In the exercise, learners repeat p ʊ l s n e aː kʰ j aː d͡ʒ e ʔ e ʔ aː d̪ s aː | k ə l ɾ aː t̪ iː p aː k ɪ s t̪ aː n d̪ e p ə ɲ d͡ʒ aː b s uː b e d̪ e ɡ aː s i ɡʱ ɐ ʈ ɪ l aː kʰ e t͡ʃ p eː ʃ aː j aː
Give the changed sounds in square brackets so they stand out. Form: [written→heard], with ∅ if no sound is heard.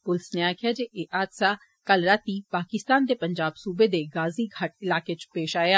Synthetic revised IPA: p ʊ l s n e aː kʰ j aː d͡ʒ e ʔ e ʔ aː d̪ s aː | k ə l ɾ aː t̪ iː p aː k ɪ s t̪ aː n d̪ e p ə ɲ d͡ʒ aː b s uː b e d̪ e ɡ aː [s→z] i ɡʱ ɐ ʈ ɪ l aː [kʰ→k] e t͡ʃ p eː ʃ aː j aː